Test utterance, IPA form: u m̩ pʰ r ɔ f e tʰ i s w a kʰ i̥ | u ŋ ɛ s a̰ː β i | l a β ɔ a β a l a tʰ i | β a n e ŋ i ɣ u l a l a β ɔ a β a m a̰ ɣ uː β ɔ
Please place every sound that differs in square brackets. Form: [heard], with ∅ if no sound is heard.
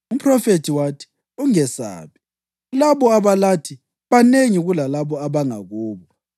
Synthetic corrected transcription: u m̩ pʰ r ɔ f e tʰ i [∅] w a [tʰ] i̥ | u ŋ ɛ s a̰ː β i | l a β ɔ a β a l a tʰ i | β a n e ŋ i ɣ u l a l a β ɔ a β a [ŋ] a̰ ɣ uː β ɔ